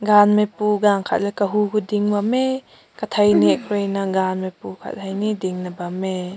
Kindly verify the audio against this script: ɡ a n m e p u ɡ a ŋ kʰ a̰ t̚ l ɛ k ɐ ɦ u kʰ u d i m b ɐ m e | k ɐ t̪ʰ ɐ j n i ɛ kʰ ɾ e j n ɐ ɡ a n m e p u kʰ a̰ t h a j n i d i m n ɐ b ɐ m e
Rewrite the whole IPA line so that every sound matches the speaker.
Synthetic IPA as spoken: ɡ a n m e p u ɡ a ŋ kʰ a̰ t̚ l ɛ k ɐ ɦ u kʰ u d i ŋ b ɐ m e | k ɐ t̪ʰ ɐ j n i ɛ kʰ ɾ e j n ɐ ɡ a n m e p u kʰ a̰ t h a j n i d i ŋ n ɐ b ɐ m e